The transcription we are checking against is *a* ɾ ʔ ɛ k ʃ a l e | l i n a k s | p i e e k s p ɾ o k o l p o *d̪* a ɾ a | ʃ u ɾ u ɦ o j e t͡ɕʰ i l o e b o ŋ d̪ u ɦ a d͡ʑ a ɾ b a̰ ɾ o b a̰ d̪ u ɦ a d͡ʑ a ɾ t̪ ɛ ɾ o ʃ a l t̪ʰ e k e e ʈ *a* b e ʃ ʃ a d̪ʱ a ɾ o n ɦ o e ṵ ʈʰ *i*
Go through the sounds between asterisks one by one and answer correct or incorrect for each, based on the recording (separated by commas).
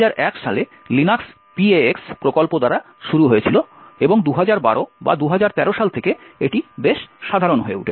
correct, correct, incorrect, incorrect